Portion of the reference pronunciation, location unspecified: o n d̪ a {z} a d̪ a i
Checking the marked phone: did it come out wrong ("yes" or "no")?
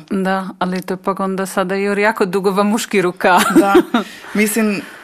yes